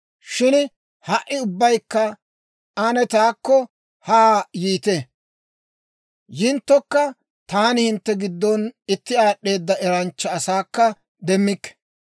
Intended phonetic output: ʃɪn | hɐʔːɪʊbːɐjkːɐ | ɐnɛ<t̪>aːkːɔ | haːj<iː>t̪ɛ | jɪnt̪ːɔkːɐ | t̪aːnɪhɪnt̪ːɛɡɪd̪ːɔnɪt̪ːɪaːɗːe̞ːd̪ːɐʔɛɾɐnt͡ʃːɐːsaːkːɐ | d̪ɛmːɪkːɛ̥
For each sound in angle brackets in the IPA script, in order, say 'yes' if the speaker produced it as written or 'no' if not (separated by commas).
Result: yes, yes